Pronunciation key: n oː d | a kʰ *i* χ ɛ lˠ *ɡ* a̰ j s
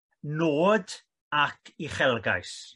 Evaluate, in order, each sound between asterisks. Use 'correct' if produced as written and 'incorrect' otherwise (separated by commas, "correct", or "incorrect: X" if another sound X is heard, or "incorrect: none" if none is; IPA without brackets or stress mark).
correct, correct